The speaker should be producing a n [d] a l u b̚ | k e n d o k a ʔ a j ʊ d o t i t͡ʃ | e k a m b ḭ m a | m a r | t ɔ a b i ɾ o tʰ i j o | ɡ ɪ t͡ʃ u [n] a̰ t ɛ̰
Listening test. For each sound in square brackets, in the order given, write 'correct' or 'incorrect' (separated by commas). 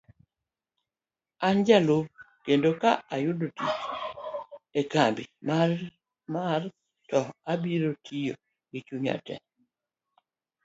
incorrect, incorrect